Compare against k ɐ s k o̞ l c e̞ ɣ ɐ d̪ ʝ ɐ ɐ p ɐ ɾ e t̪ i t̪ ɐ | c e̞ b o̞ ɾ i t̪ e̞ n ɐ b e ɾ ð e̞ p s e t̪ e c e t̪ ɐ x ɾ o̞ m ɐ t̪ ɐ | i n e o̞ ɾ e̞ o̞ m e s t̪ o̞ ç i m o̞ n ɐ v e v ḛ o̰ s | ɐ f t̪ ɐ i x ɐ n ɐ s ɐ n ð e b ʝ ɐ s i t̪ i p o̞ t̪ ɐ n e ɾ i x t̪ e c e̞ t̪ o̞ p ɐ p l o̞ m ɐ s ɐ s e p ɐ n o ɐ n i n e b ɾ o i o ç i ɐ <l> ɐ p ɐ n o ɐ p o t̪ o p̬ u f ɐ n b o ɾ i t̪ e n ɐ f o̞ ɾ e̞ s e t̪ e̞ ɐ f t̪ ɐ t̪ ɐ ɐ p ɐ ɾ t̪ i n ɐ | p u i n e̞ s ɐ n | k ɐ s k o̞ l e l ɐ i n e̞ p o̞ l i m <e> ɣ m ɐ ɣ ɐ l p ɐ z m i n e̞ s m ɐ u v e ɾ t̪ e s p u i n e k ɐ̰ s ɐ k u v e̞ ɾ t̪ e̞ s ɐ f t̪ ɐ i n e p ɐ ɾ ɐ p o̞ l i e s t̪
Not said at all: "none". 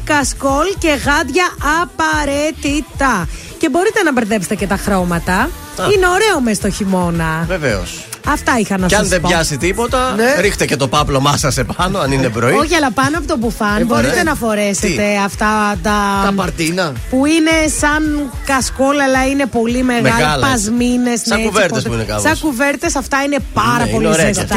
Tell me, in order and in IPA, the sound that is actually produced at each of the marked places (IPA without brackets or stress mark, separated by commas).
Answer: l, e